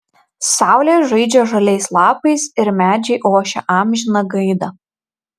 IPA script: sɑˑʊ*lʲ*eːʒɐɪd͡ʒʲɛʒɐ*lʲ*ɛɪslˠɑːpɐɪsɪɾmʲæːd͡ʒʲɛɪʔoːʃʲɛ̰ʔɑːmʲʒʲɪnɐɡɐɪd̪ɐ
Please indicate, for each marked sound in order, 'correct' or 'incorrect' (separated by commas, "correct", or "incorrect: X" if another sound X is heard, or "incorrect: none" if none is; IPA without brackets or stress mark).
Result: correct, correct